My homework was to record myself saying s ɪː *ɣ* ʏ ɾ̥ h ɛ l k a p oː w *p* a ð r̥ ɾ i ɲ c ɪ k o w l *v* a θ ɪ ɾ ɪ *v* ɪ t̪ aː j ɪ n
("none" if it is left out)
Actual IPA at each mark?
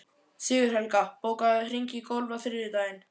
ɣ, k, v, ð

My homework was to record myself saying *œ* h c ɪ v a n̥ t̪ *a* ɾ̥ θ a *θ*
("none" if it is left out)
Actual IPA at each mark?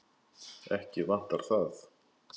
ɛ, a, θ

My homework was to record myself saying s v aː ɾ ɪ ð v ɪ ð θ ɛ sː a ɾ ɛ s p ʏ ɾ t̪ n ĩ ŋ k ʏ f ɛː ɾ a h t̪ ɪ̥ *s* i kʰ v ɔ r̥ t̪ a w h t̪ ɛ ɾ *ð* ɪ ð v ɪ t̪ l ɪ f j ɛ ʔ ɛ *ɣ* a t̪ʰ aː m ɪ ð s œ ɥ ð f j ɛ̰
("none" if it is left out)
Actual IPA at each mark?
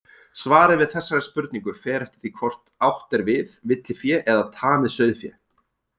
θ, v, ð

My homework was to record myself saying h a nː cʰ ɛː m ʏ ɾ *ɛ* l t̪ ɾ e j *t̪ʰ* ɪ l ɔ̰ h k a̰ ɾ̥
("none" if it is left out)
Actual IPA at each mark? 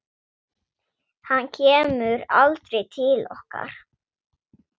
a, t̪ʰ

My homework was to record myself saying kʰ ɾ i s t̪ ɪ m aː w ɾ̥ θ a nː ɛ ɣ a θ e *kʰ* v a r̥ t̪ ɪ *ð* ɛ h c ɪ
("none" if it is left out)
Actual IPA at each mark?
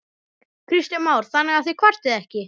kʰ, ð

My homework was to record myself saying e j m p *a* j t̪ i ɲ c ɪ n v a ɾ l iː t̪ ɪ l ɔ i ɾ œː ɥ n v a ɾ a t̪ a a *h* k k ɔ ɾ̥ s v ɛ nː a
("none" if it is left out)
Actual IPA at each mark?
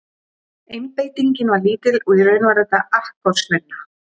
e, h

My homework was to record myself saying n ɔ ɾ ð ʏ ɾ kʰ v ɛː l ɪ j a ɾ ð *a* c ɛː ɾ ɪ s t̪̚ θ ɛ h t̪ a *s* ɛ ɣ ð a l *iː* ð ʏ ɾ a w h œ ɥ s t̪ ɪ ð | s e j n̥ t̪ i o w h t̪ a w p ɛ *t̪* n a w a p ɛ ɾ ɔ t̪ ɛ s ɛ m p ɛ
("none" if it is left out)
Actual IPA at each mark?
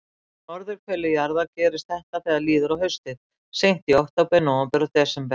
a, θ, iː, none

